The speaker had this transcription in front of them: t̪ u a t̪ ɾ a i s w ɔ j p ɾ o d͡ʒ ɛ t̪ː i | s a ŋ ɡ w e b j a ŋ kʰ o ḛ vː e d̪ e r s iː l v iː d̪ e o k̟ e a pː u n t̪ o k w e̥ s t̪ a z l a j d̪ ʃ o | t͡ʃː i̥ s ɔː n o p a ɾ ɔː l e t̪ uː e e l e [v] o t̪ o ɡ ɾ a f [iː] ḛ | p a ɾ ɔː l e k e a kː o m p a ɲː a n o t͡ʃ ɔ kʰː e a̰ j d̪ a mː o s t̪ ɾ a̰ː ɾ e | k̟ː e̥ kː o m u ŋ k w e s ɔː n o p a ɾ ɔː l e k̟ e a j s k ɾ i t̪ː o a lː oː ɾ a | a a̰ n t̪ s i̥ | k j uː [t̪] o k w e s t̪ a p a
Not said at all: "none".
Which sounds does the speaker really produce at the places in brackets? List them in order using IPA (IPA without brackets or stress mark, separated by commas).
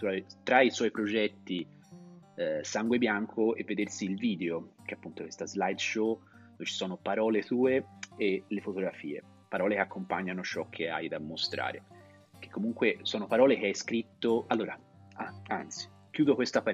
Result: f, iː, d̪